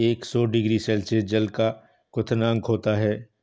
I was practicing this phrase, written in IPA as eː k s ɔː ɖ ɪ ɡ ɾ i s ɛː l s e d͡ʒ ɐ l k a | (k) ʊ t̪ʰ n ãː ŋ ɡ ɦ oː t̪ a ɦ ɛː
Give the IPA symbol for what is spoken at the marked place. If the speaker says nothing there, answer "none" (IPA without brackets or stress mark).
k